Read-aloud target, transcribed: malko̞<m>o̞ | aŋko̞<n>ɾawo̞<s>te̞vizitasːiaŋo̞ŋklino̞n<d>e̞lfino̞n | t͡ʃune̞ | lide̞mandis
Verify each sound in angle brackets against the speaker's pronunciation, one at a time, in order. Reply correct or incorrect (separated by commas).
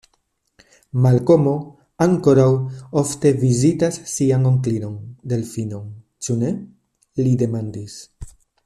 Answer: correct, incorrect, incorrect, correct